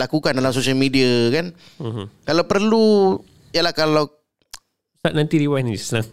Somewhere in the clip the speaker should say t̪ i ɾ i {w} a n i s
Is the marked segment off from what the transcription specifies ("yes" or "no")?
no